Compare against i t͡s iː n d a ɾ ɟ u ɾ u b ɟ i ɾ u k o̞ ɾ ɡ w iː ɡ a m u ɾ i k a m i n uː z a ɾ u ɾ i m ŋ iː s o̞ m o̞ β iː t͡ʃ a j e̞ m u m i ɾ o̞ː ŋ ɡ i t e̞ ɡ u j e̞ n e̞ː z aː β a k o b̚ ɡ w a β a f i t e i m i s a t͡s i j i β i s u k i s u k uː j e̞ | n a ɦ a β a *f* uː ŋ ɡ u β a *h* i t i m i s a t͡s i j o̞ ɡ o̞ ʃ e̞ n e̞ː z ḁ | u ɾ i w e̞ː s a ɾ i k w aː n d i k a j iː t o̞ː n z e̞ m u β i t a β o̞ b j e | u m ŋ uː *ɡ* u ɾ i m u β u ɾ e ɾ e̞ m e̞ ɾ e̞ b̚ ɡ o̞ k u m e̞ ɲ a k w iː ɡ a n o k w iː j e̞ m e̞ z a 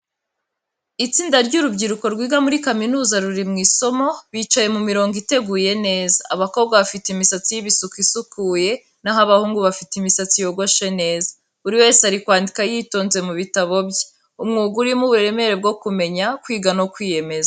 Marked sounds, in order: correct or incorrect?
incorrect, incorrect, correct

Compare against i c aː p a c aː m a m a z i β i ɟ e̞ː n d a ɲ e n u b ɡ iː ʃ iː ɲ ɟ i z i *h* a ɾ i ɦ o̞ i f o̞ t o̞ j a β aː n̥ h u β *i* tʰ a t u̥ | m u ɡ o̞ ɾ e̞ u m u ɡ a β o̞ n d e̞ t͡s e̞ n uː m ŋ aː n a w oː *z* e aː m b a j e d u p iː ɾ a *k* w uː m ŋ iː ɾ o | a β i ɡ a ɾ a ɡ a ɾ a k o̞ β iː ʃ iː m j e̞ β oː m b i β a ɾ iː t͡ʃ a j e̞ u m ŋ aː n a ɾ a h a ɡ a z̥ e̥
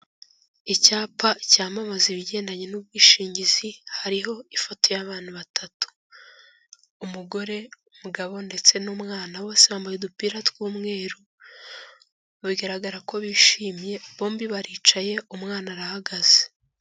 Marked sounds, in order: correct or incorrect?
correct, incorrect, incorrect, incorrect

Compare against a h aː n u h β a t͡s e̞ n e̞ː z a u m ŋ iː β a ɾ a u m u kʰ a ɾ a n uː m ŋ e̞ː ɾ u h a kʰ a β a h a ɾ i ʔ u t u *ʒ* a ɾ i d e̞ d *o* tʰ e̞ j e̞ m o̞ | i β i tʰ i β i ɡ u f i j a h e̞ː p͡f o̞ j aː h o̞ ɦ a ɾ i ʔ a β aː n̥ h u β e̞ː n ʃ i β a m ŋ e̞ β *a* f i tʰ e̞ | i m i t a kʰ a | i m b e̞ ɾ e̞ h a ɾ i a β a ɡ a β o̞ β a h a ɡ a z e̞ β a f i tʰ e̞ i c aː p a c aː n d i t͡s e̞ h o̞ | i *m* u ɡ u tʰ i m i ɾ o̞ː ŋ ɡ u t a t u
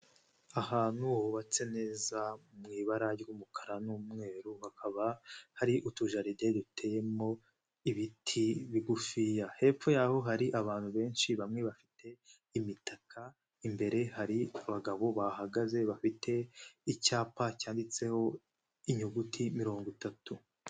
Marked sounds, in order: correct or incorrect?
correct, incorrect, correct, incorrect

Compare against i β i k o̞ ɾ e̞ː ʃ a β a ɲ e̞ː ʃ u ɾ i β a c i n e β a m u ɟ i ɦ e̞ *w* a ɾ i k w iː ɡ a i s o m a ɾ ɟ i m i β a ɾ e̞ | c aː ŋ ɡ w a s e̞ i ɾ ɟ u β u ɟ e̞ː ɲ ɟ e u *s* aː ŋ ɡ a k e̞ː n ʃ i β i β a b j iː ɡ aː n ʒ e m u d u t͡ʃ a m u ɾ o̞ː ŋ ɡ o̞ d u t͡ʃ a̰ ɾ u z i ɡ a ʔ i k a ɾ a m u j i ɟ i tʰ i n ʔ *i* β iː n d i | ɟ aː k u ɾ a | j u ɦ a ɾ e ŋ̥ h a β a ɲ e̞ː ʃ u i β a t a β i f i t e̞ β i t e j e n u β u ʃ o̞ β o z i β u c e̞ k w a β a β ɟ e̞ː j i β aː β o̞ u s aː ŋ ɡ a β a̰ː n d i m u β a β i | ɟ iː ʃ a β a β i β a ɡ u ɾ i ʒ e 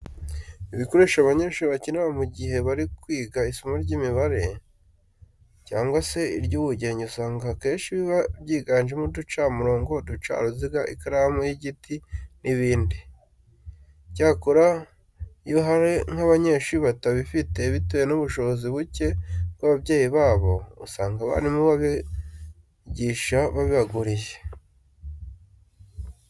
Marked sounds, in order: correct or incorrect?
incorrect, correct, correct

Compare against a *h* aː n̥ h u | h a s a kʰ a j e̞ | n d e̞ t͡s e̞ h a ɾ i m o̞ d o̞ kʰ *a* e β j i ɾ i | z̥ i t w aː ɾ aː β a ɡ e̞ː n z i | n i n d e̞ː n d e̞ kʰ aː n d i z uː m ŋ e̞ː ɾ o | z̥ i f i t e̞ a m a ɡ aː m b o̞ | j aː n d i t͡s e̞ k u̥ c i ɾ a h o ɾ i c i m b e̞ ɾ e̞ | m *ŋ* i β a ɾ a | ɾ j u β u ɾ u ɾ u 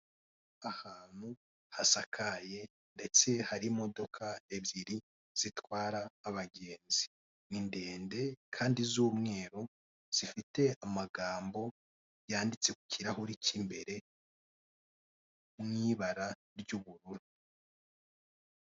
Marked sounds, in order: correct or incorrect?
correct, correct, correct

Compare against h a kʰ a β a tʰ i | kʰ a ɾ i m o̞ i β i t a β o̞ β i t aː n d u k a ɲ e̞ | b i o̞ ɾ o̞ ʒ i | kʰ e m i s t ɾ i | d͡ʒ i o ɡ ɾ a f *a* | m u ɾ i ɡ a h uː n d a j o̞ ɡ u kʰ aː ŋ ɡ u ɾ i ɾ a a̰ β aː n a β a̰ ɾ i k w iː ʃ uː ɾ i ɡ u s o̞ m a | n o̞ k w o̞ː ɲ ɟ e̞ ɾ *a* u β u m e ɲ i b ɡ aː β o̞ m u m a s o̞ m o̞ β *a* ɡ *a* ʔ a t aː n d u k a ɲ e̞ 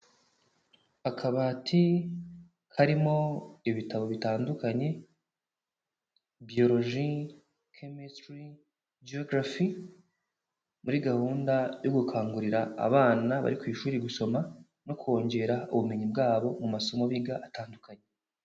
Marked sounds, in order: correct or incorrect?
incorrect, correct, incorrect, correct

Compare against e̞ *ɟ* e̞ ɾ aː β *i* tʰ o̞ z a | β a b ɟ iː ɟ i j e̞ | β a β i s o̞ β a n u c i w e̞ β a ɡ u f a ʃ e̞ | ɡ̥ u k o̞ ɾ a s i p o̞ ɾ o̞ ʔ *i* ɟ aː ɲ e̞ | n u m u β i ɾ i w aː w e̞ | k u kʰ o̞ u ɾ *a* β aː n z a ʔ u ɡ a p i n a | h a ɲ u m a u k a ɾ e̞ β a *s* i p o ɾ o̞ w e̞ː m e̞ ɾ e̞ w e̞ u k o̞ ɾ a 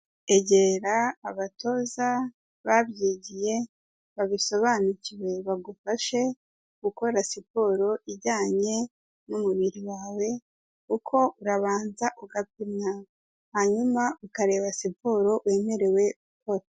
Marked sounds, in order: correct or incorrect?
correct, incorrect, correct, correct, correct

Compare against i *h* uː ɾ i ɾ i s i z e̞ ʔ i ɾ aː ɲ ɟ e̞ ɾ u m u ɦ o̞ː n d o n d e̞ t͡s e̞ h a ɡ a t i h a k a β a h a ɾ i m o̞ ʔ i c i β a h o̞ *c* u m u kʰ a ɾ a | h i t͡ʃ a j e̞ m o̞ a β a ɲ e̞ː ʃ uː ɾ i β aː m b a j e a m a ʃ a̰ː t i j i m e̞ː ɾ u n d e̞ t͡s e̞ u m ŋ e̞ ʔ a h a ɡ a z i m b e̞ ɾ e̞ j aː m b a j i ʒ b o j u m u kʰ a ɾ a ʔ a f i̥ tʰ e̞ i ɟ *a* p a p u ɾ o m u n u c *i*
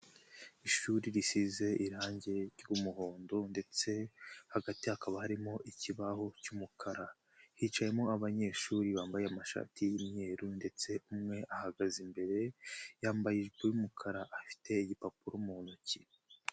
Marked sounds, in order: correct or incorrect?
incorrect, correct, incorrect, correct

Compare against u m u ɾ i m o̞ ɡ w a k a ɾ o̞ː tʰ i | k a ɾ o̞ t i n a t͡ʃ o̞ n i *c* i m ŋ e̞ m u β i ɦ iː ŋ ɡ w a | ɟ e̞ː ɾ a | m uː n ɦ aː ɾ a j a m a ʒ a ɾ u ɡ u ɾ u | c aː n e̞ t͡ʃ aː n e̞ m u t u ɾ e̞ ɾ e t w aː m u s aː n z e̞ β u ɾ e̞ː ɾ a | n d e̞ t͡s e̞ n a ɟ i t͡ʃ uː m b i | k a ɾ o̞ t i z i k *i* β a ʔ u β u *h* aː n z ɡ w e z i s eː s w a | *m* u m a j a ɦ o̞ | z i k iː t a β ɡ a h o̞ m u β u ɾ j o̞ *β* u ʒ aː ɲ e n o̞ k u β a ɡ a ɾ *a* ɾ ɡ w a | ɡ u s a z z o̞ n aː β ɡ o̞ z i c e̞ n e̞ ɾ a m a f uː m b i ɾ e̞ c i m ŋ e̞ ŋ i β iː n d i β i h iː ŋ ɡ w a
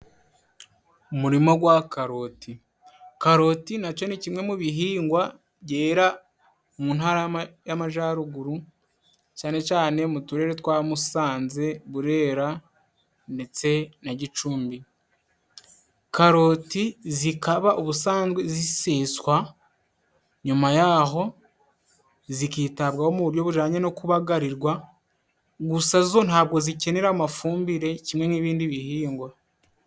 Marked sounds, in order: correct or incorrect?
correct, incorrect, incorrect, incorrect, correct, incorrect

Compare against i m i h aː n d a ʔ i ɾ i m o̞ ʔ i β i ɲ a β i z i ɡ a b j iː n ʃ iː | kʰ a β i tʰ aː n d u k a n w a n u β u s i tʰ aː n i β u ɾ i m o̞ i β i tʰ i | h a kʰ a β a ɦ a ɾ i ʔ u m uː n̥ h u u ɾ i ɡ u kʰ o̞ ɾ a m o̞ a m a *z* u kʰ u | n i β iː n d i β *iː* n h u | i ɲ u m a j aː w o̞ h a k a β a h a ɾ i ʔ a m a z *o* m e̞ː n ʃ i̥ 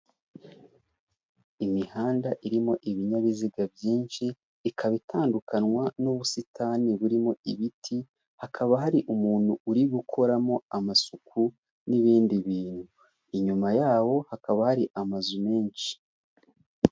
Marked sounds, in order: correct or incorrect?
incorrect, correct, incorrect

